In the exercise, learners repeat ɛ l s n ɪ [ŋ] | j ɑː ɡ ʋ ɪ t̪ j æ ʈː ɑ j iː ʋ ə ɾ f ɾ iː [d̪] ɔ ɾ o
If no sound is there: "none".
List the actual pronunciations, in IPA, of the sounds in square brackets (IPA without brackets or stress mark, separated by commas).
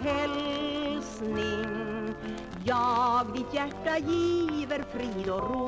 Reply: ŋ, d̪